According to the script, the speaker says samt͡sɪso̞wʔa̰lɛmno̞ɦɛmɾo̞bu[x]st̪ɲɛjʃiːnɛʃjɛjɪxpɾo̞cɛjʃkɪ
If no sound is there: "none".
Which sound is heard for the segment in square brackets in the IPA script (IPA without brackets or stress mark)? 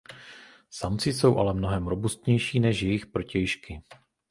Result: none